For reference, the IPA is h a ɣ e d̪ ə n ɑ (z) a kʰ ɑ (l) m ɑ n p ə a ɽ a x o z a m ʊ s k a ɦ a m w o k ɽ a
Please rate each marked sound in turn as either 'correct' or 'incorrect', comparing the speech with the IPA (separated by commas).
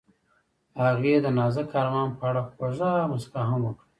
correct, incorrect